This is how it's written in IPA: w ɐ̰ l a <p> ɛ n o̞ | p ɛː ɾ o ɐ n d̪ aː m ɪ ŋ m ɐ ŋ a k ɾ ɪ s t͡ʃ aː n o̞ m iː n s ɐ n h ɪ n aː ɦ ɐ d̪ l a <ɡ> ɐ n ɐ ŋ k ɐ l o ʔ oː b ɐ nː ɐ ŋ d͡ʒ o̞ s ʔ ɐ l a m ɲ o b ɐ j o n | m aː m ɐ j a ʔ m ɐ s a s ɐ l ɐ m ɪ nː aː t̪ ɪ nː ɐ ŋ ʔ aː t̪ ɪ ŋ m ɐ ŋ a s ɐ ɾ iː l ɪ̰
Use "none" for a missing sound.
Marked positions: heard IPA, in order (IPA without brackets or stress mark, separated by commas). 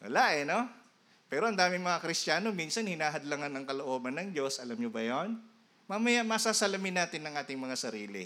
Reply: ʔ, ŋ